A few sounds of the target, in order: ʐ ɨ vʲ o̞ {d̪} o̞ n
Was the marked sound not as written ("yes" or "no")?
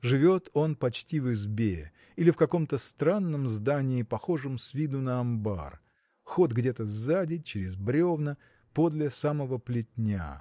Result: yes